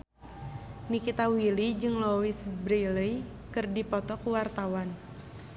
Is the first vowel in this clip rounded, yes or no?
no